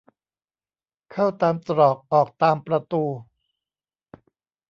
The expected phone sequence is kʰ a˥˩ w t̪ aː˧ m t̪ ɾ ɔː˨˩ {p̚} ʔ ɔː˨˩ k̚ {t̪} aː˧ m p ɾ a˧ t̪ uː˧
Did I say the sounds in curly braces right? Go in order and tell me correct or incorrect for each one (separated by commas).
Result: incorrect, correct